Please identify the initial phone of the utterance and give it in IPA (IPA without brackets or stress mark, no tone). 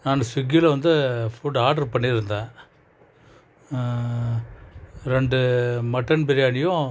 n